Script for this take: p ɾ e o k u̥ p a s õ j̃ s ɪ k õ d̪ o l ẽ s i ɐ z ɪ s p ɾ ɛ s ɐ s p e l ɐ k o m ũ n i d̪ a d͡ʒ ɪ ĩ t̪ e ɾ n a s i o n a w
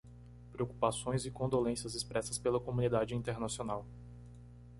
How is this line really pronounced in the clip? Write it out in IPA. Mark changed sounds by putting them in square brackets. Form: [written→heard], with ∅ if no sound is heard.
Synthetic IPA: p ɾ e o k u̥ p a s õ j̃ [s→z] ɪ k õ d̪ o l ẽ s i ɐ z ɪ s p ɾ ɛ s ɐ s p e l ɐ k o m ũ n i d̪ a d͡ʒ ɪ ĩ t̪ e ɾ n a s i o n a w